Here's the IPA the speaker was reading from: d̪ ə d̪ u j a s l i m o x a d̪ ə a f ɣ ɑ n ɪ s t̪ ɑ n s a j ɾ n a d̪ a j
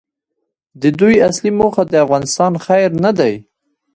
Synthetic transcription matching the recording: d̪ ə d̪ u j a s l i m o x a d̪ ə a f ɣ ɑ n ɪ s t̪ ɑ n x a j ɾ n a d̪ a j